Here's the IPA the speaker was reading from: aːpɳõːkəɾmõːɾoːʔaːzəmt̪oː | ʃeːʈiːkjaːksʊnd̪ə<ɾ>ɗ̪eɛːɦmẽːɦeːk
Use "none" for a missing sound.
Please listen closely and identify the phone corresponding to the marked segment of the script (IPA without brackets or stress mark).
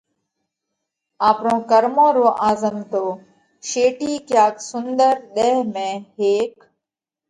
ɾ